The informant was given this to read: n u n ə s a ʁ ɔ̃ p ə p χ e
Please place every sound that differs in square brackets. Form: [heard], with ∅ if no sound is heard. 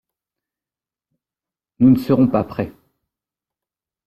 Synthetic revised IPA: n u n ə s [ə] ʁ ɔ̃ p [a] p χ [ɛ]